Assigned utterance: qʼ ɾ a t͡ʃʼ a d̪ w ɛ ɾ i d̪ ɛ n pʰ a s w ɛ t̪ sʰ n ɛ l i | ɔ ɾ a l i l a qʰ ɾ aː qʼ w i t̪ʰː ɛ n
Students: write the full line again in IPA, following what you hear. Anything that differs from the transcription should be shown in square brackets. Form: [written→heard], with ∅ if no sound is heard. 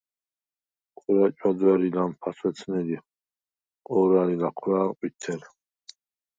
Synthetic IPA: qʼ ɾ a t͡ʃʼ a d̪ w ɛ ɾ i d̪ [ɛ→a] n pʰ a s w ɛ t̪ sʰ n ɛ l i | ɔ ɾ a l i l a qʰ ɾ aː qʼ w i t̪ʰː ɛ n

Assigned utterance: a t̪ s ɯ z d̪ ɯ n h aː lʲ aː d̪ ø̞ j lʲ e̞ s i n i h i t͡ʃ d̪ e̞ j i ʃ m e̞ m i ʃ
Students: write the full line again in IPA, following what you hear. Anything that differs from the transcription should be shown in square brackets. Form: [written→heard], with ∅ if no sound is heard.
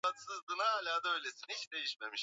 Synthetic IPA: a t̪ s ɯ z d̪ ɯ n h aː lʲ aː d̪ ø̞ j lʲ e̞ s i n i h i t͡ʃ d̪ e̞ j i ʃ m e̞ m i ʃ

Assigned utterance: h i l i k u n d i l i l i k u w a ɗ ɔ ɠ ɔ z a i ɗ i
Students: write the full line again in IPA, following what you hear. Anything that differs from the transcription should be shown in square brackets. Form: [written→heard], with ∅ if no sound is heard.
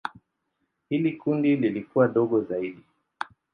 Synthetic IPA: h i l i k u n d i l i l i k u w a ɗ ɔ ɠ ɔ z a i ɗ i

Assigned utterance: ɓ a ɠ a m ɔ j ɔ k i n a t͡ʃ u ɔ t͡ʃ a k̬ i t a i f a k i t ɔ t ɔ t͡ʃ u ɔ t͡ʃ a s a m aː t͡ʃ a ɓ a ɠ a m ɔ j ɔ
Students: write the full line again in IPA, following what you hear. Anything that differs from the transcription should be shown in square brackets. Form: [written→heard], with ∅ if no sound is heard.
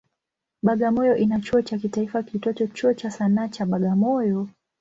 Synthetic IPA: ɓ a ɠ a m ɔ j ɔ [k→ʔ] i n a t͡ʃ u ɔ t͡ʃ a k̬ i t a i f a k i t ɔ t ɔ t͡ʃ u ɔ t͡ʃ a s a [m→n] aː t͡ʃ a ɓ a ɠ a m ɔ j ɔ

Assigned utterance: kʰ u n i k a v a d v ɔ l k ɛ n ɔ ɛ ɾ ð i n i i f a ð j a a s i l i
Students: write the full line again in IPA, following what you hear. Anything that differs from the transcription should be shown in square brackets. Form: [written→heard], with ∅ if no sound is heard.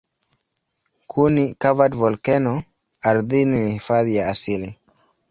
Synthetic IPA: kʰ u n i k a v a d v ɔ l k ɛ n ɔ [ɛ→a] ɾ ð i n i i f a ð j a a s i l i

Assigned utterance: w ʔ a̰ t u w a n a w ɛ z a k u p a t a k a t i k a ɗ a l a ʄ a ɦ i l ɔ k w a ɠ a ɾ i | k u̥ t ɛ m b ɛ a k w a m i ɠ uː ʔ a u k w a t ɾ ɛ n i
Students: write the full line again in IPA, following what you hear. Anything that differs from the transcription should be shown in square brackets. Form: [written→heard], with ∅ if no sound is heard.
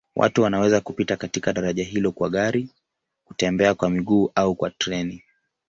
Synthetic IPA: w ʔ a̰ t u w a n a w ɛ z a k u p [a→i] t a k a t i k a ɗ a [l→ɾ] a ʄ a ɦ i l ɔ k w a ɠ a ɾ i | k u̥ t ɛ m b ɛ a k w a m i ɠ uː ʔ a u k w a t ɾ ɛ n i

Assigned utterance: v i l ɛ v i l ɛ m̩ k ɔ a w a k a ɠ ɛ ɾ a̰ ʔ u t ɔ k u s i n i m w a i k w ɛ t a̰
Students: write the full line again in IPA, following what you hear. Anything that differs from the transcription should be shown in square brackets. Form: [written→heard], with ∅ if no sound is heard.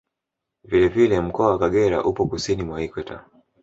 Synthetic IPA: v i l ɛ v i l ɛ m̩ k ɔ a w a k a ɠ ɛ ɾ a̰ ʔ u [t→p] ɔ k u s i n i m w a i k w ɛ t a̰

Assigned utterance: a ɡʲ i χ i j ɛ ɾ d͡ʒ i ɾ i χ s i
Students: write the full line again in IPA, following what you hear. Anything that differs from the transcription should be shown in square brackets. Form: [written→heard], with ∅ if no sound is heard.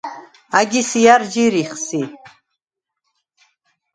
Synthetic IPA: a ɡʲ i [χ→s] i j [ɛ→a] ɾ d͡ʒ i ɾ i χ s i

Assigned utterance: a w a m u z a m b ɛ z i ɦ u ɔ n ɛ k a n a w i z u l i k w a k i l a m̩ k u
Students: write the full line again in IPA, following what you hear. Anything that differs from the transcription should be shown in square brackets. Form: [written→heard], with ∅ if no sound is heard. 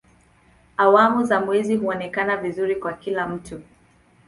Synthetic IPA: a w a m u z a m [b→w] ɛ z i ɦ u ɔ n ɛ k a n a [w→v] i z u [l→ɾ] i k w a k i l a m̩ [k→t] u

